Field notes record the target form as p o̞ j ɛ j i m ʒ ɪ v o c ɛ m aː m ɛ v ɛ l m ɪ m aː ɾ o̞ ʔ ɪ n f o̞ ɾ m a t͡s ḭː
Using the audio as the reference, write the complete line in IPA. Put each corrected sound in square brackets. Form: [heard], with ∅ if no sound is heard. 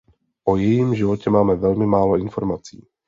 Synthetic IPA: [ʔ] o̞ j ɛ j i m ʒ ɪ v o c ɛ m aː m ɛ v ɛ l m ɪ m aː [l] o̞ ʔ ɪ n f o̞ ɾ m a t͡s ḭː